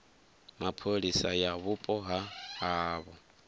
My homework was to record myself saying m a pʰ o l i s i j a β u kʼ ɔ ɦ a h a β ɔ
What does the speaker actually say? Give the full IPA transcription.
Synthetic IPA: m a pʰ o l i s a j a β u pʼ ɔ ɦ a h a β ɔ